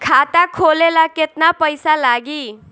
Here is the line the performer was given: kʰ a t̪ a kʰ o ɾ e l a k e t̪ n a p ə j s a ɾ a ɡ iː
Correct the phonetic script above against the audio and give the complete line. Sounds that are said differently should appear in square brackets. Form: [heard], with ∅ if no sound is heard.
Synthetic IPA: kʰ a t̪ a kʰ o [l] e l a k e t̪ n a p ə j s a [l] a ɡ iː